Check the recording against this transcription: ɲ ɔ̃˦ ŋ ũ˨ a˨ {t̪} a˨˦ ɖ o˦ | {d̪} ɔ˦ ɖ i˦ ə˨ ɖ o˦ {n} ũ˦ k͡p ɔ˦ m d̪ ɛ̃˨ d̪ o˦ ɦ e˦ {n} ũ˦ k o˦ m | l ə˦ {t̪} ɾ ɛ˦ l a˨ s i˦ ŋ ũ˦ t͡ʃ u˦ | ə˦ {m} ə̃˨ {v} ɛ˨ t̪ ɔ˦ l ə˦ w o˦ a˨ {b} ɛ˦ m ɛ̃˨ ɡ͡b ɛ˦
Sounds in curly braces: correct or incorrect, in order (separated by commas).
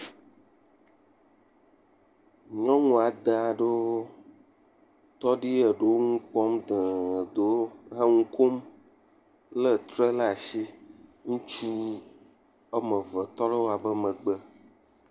incorrect, incorrect, incorrect, incorrect, correct, correct, correct, correct